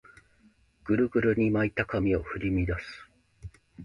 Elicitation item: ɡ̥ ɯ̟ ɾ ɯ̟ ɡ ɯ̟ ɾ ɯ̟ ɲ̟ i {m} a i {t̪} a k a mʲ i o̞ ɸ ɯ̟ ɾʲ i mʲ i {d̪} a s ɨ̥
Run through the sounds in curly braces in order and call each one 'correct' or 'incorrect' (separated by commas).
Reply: correct, correct, correct